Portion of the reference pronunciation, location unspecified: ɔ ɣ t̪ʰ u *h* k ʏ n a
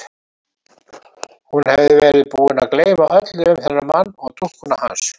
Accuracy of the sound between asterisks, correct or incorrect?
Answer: correct